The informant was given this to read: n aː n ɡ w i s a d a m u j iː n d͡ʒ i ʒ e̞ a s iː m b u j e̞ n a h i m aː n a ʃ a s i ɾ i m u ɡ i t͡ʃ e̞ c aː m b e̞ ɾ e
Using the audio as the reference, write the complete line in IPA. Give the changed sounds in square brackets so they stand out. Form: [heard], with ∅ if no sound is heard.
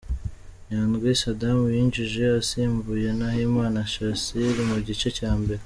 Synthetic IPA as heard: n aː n ɡ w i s a d a m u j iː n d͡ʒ i ʒ e̞ a s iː m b u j e̞ n a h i m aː n a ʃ a s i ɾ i m u [ɟ] i t͡ʃ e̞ c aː m b e̞ ɾ e